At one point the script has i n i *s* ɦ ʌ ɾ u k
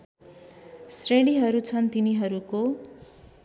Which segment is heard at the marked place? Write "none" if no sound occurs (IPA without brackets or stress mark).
none